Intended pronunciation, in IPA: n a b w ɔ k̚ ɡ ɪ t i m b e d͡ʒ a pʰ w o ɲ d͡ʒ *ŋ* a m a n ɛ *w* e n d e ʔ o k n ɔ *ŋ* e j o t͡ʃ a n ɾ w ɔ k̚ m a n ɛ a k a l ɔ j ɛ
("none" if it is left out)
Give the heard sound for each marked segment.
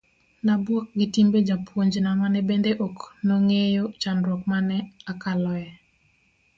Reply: n, b, ŋ

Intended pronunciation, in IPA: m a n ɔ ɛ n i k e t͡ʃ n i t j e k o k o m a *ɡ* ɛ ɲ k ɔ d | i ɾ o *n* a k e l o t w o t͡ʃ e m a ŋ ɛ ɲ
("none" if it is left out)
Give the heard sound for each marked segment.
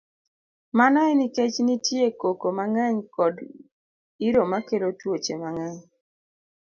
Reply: ŋ, m

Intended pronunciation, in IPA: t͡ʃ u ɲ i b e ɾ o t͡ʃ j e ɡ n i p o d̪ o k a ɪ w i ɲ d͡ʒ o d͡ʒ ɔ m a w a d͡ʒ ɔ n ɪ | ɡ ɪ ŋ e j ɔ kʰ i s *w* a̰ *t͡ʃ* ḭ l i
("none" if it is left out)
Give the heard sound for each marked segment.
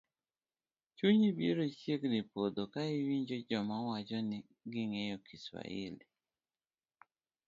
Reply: w, none

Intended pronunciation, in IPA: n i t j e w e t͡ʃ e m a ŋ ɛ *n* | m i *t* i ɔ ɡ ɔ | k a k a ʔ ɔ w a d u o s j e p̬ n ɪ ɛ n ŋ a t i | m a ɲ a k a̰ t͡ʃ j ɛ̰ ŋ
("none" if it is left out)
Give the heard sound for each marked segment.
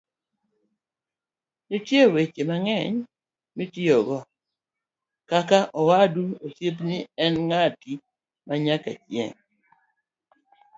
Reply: ɲ, t

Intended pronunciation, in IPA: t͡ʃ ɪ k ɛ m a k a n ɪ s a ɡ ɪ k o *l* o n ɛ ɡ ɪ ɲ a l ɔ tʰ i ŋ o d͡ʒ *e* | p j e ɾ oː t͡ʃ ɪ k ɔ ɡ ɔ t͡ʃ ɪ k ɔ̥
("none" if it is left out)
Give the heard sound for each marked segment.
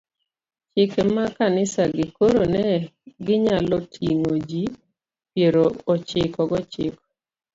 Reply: ɾ, i

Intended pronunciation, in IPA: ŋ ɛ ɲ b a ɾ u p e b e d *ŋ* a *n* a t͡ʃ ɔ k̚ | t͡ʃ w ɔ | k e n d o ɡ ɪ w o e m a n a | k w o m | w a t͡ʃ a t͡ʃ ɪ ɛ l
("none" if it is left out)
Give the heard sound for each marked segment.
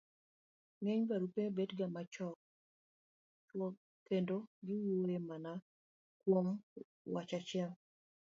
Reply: ɡ, m

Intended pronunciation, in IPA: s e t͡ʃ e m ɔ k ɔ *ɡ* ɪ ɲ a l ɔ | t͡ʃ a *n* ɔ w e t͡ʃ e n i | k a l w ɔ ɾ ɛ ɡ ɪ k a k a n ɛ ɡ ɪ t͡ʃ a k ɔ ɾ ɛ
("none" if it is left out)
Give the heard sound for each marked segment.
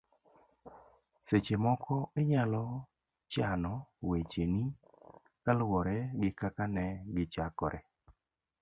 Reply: none, n

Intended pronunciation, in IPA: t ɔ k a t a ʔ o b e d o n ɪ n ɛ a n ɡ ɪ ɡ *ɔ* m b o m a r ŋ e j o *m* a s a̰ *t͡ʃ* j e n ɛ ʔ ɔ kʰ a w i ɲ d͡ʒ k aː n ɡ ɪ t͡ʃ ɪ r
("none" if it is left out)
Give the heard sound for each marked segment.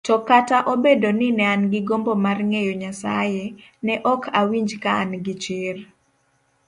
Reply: o, ɲ, none

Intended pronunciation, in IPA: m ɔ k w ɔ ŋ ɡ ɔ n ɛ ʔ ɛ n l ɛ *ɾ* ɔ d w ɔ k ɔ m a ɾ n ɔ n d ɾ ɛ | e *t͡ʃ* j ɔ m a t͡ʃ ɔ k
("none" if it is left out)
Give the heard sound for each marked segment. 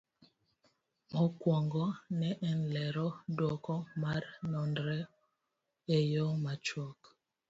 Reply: ɾ, none

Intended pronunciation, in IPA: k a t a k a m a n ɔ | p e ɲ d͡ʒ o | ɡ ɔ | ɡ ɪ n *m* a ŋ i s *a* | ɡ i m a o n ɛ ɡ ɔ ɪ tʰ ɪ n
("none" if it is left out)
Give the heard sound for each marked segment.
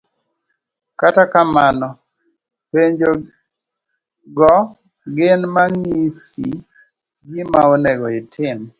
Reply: m, i

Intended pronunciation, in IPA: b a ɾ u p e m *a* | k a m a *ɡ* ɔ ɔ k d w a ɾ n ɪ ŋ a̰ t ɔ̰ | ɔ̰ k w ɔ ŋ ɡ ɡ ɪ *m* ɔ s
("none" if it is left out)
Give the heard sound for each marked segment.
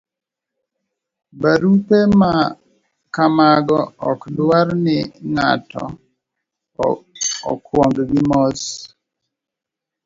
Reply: a, ɡ, m

